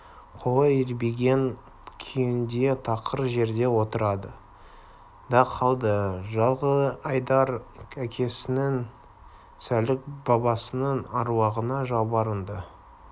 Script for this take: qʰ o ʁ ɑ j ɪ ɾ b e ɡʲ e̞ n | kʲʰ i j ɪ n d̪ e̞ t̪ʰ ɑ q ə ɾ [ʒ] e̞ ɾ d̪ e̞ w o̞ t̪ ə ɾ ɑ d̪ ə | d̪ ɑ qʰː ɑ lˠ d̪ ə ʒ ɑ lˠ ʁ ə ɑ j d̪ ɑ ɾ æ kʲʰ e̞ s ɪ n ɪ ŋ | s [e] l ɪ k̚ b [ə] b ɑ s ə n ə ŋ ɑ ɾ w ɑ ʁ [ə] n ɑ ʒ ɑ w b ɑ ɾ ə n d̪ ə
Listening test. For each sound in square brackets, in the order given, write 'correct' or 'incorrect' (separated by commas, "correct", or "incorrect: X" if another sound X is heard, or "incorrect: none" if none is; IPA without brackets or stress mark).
correct, incorrect: æ, incorrect: ɑ, correct